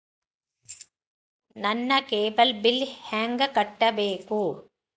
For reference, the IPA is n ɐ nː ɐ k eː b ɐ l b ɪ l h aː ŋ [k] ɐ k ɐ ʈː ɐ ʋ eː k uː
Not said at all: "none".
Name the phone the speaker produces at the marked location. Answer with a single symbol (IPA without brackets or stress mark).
ɡ